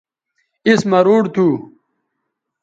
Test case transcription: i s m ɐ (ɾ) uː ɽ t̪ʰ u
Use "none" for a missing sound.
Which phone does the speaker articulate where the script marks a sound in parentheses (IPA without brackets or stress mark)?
ɾ